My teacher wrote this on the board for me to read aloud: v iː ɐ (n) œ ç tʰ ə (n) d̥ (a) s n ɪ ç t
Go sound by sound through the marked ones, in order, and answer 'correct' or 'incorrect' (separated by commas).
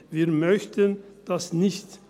incorrect, correct, correct